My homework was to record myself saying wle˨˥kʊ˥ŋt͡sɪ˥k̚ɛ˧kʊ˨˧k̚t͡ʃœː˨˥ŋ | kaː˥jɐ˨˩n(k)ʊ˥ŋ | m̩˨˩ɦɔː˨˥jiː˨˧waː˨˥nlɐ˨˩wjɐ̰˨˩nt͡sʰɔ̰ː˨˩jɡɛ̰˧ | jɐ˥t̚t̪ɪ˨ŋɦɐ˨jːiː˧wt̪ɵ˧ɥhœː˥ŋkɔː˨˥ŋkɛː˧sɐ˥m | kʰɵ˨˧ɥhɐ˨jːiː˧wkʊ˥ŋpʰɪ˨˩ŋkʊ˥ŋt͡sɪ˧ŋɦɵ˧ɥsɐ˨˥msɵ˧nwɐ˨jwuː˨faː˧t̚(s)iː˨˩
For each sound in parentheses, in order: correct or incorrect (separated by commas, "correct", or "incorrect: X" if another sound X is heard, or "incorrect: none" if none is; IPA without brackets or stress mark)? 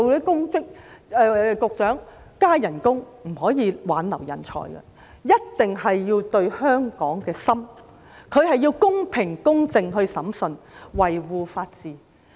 correct, incorrect: t͡s